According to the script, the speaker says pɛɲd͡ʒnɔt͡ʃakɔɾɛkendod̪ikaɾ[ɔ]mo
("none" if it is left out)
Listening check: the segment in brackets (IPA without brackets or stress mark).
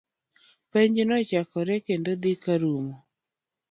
u